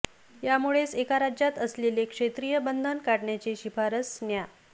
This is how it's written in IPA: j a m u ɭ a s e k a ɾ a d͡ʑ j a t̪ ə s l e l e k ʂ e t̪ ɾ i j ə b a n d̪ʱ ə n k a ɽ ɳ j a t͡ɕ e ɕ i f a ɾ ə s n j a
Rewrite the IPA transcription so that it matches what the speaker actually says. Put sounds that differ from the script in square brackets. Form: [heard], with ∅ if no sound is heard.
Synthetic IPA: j a m u ɭ [e] s e k a ɾ a d͡ʑ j a t̪ ə s l e l e k ʂ e t̪ ɾ i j ə b [ə] n d̪ʱ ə n k a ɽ ɳ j a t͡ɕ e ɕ i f a ɾ ə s n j a